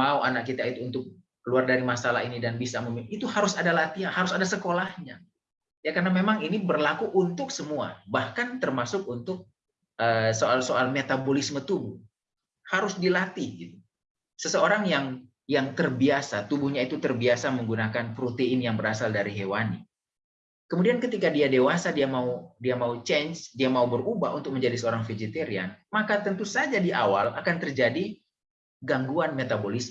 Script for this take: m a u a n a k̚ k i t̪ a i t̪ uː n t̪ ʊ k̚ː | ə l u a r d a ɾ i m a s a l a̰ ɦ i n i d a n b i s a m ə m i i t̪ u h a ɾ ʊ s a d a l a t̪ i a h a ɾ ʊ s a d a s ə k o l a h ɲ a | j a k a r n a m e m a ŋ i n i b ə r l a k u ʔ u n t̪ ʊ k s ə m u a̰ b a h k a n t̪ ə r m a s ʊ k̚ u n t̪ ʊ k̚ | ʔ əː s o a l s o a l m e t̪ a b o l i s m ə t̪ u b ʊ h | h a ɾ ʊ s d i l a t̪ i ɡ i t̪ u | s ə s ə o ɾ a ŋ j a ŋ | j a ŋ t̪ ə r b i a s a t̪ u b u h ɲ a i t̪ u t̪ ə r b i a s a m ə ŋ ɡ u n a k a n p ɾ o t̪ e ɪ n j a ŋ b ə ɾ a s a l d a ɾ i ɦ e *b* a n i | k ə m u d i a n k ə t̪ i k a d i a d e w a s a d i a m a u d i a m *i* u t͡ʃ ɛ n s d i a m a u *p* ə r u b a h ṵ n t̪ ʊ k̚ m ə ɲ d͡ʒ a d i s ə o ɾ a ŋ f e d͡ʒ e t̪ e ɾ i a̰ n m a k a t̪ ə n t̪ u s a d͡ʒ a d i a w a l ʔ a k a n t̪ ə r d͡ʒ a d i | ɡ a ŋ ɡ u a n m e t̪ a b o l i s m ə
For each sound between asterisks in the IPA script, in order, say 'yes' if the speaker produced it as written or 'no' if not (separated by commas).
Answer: no, no, no